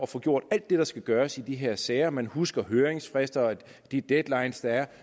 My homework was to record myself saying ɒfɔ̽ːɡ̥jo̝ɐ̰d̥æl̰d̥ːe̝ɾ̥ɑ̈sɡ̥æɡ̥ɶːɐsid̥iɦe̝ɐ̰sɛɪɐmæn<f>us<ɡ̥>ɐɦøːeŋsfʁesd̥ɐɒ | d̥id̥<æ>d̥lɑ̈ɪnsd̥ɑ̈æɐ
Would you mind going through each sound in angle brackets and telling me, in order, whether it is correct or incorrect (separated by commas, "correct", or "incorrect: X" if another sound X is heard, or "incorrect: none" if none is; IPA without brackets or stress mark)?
incorrect: h, correct, incorrect: e